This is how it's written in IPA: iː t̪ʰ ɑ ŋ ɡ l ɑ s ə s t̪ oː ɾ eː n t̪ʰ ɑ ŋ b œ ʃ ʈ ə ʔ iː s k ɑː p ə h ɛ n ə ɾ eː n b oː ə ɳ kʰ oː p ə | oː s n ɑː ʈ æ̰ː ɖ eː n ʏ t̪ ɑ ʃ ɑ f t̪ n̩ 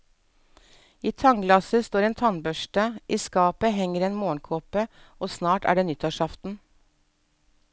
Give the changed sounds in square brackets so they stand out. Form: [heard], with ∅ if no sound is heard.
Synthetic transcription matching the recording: iː t̪ʰ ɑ ŋ ɡ l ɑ s ə s t̪ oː ɾ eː n t̪ʰ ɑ [n] b œ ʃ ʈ ə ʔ iː s k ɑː p ə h ɛ [ŋ] ə ɾ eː n [m] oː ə ɳ kʰ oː p ə | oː s n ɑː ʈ æ̰ː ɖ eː n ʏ t̪ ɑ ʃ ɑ f t̪ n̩